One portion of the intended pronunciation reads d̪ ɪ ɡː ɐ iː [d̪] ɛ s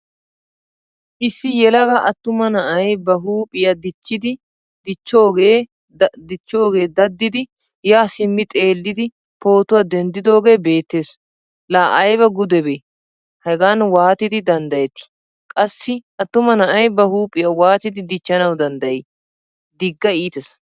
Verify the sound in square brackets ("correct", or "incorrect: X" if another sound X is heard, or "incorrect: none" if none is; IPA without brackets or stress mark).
incorrect: t̪